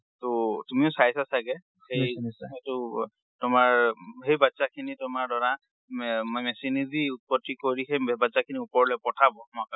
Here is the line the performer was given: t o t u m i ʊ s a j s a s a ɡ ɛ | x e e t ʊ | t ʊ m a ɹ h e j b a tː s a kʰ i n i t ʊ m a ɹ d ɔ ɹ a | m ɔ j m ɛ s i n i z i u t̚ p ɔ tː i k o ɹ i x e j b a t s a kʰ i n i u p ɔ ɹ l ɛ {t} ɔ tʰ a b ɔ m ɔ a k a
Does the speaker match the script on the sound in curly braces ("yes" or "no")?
no